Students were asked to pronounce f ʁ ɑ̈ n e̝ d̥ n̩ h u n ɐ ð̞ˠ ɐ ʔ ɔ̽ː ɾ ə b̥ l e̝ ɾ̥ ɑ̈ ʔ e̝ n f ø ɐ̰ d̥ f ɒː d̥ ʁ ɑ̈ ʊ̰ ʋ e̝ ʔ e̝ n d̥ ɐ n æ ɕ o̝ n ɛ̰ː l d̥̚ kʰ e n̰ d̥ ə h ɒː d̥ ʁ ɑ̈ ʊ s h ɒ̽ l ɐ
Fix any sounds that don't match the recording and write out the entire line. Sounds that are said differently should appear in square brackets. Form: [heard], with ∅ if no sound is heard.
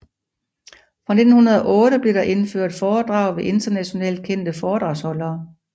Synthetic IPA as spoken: f ʁ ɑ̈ n e̝ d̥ n̩ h u n ɐ ð̞ˠ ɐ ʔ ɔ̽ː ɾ ə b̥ l e̝ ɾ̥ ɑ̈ ʔ e̝ n f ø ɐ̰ d̥ f ɒː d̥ ʁ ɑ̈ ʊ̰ ʋ e̝ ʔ e̝ n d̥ ɐ n æ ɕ o̝ n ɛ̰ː l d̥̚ kʰ e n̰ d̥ ə [f] ɒː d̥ ʁ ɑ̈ ʊ s h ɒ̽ l [ɐː]